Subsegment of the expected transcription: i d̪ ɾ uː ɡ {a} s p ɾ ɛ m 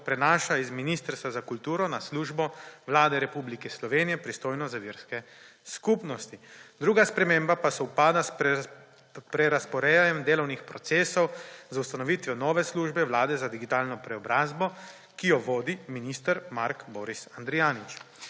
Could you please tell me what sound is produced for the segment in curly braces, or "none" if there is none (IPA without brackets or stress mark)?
a